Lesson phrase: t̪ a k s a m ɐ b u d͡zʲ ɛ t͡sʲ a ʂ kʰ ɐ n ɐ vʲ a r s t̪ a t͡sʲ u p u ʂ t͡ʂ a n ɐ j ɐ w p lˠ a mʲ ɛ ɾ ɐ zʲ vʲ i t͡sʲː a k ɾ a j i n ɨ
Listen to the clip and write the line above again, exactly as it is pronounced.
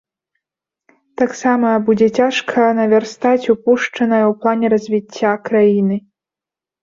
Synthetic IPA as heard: t̪ a k s a m ɐ b u d͡zʲ ɛ t͡sʲ a ʂ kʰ ɐ n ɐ vʲ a r s t̪ a t͡sʲ u p u ʂ t͡ʂ ɐ n ɐ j ɐ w p lˠ a nʲ ɛ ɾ ɐ zʲ vʲ i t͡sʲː a k ɾ a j i n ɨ